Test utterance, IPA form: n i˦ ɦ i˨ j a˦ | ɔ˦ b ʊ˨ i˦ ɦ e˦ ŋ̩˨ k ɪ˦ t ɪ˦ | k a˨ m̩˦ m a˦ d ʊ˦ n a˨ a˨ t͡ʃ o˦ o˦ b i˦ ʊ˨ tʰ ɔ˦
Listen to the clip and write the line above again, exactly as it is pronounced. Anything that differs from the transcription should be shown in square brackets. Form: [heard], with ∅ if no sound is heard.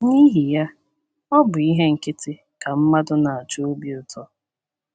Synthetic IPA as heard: n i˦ ɦ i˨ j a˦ | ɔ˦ b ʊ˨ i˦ ɦ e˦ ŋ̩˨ k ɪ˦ t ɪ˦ | k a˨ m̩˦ m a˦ d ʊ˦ n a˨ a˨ t͡ʃ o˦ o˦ b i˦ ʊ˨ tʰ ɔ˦